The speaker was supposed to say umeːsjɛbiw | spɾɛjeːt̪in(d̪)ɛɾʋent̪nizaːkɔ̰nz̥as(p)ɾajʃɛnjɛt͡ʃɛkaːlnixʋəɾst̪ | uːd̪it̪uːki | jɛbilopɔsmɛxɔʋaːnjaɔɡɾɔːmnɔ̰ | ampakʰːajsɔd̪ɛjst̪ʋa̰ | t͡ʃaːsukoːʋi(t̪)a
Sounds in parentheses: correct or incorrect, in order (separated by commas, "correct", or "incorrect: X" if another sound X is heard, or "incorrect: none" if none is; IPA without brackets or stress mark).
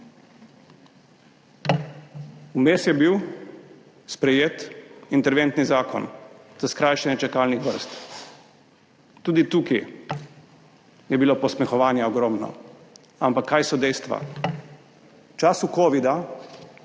incorrect: t̪, incorrect: k, incorrect: d̪